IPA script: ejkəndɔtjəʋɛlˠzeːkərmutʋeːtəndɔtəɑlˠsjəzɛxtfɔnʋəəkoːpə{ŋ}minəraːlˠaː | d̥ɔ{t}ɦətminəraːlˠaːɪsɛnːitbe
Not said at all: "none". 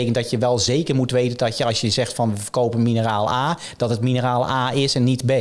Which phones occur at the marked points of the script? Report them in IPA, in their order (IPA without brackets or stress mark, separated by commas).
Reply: n, t